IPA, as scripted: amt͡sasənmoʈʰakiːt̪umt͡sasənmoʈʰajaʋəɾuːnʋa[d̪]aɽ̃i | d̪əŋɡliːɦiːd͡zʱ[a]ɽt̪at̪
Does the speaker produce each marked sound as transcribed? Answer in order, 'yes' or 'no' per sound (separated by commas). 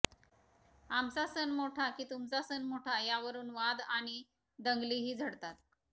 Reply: yes, no